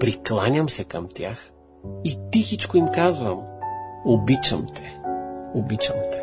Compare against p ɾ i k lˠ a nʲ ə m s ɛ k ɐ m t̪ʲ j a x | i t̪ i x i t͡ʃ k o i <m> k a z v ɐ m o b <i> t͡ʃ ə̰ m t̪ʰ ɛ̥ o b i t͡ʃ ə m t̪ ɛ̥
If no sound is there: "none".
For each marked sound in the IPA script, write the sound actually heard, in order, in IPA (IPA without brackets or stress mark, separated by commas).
m, i